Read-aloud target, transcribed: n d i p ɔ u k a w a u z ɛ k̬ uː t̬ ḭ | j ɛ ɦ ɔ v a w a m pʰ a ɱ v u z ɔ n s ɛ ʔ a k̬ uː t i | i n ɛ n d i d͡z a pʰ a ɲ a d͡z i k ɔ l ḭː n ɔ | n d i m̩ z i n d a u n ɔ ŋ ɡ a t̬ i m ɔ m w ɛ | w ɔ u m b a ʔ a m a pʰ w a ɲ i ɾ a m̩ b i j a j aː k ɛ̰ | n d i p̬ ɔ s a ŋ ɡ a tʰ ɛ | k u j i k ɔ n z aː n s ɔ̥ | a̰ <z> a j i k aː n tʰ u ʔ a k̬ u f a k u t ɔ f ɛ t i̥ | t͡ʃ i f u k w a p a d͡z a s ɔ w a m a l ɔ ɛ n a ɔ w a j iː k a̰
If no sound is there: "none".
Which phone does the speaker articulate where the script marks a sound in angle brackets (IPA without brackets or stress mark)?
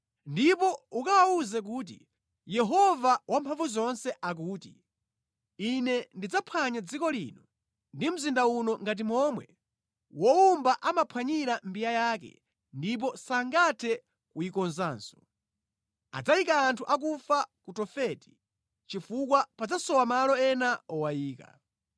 d͡z